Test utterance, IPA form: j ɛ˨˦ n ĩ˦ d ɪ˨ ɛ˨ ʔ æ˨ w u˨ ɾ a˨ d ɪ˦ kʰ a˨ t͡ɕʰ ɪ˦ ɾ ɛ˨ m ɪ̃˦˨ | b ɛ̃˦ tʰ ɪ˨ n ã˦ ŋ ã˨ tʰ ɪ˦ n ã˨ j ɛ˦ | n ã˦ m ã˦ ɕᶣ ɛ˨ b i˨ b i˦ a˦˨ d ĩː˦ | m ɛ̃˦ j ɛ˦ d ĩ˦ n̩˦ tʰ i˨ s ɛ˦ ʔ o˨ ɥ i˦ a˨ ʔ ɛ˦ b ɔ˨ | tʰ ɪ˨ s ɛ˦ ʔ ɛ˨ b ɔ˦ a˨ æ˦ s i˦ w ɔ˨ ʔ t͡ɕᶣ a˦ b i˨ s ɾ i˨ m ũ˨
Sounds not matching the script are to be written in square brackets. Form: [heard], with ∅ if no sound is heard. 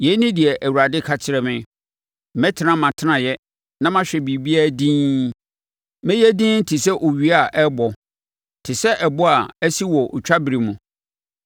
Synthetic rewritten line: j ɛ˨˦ n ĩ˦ d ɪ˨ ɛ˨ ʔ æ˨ w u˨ ɾ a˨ d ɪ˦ kʰ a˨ t͡ɕʰ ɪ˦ ɾ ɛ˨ m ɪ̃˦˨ | [m] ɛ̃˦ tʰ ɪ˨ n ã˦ [m] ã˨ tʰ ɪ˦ n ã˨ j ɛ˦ | n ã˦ m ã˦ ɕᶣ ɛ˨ b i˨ b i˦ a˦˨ d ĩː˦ | m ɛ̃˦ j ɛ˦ d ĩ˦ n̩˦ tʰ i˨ s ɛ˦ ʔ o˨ ɥ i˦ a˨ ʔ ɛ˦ b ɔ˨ | tʰ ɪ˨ s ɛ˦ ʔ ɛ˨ b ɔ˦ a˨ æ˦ s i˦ w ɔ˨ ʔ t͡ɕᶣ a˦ b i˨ [∅] ɾ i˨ m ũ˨